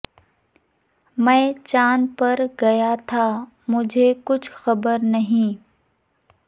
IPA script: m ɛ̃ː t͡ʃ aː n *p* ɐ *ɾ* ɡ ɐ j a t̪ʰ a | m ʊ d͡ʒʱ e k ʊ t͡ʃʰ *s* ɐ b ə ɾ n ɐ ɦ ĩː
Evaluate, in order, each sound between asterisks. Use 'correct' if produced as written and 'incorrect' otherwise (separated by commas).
correct, correct, incorrect